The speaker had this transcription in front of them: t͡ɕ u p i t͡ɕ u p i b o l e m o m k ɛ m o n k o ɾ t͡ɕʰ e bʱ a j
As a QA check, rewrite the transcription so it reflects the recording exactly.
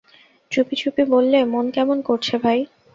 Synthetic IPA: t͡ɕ u p i t͡ɕ u p i b o lː e m o n k ɛ m o n k o ɾ t͡ɕʰ e bʱ a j